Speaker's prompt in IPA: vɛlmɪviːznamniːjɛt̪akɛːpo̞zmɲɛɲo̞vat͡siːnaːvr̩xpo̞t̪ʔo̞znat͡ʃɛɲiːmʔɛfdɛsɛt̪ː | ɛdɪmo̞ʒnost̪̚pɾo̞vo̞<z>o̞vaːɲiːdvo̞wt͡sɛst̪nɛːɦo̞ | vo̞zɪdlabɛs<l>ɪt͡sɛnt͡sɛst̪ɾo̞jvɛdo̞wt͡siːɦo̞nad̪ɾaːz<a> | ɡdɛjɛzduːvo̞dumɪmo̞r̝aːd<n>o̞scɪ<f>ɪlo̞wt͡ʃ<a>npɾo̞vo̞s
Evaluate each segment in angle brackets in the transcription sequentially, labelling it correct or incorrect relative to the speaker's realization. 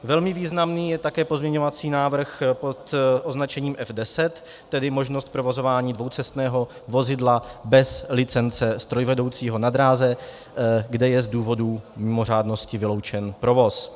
correct, correct, incorrect: ɛ, correct, incorrect: v, incorrect: ɛ

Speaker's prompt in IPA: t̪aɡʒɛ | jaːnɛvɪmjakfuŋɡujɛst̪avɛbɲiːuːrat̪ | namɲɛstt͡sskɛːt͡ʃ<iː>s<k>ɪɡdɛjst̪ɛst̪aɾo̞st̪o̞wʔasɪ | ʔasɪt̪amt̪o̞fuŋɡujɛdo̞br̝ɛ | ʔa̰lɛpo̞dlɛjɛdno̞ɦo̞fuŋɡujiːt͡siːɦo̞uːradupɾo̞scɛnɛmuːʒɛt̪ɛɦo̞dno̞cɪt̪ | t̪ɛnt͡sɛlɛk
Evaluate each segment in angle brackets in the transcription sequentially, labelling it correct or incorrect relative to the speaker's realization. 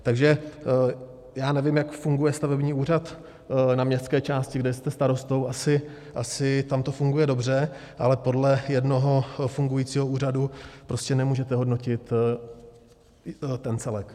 incorrect: aː, incorrect: c

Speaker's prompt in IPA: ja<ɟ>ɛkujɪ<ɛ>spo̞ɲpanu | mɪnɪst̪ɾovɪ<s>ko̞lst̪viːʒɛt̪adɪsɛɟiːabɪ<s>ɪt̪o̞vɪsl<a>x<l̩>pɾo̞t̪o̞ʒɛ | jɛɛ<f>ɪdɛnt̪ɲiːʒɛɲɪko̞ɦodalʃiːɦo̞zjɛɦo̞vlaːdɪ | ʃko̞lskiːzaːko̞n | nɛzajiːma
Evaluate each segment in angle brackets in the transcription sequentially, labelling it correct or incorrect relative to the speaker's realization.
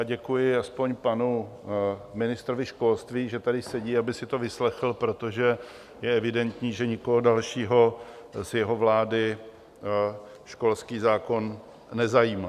correct, incorrect: a, incorrect: ʃ, correct, incorrect: ɛ, correct, incorrect: v

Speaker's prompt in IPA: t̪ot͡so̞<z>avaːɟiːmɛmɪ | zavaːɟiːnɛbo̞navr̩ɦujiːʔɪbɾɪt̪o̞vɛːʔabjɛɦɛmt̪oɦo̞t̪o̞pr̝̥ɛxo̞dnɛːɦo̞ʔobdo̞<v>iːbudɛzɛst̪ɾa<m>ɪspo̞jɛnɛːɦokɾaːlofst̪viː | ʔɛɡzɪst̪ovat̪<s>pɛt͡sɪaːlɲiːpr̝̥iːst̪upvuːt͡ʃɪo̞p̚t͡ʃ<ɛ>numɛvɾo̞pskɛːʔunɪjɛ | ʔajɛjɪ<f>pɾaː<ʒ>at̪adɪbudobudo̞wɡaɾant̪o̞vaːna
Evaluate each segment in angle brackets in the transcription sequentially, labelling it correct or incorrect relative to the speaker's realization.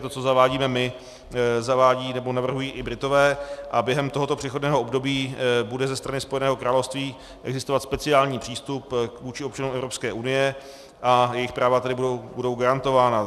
correct, incorrect: b, incorrect: n, correct, incorrect: a, incorrect: x, incorrect: v

